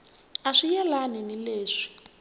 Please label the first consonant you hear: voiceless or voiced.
voiceless